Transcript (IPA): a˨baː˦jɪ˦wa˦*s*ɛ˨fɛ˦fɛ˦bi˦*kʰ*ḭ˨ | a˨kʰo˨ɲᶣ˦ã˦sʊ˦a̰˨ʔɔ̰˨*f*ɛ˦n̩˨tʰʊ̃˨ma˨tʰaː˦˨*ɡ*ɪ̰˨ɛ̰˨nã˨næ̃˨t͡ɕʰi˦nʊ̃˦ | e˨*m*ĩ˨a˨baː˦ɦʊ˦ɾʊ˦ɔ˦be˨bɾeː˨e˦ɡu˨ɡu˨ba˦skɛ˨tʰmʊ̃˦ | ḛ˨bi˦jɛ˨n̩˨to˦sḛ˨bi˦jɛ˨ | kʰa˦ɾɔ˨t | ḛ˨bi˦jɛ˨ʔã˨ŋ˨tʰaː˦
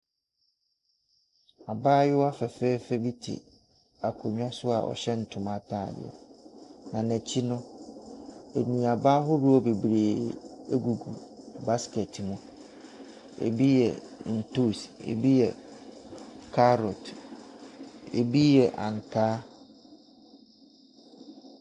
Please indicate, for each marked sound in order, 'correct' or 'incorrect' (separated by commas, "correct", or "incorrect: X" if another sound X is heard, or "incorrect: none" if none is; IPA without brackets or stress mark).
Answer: incorrect: f, incorrect: tʰ, incorrect: ɕ, incorrect: d, incorrect: n